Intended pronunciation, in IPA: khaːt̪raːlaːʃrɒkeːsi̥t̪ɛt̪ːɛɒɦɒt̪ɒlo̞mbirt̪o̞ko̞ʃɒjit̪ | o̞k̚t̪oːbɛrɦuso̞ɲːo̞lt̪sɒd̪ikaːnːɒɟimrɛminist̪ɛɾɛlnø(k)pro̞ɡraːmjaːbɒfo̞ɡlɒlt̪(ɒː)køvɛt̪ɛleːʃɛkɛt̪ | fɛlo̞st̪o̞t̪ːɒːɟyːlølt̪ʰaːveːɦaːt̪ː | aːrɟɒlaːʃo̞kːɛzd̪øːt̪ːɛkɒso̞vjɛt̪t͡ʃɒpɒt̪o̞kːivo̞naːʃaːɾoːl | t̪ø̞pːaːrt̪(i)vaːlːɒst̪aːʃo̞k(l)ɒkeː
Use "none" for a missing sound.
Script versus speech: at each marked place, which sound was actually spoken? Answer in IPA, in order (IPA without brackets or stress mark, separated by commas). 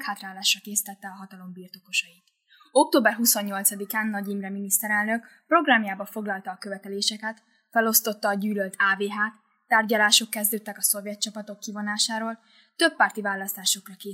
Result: k, ɒː, i, r